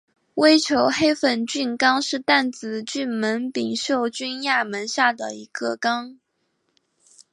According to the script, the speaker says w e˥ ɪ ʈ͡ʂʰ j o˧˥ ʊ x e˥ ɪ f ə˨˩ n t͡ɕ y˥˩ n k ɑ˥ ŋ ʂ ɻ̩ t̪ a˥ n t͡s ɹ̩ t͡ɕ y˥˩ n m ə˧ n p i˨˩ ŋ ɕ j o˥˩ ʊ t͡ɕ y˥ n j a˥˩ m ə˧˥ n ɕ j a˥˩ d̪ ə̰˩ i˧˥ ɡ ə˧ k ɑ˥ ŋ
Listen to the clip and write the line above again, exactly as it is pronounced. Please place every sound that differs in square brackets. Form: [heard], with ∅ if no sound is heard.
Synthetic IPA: w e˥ ɪ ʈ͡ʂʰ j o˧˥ ʊ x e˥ ɪ f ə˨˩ n t͡ɕ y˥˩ n k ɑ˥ ŋ ʂ ɻ̩ t̪ [a˥˩] n t͡s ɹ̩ t͡ɕ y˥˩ n m [ə˧˥] n p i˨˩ ŋ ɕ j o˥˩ ʊ t͡ɕ y˥ n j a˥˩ m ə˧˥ n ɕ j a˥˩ d̪ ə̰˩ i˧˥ ɡ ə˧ k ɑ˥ ŋ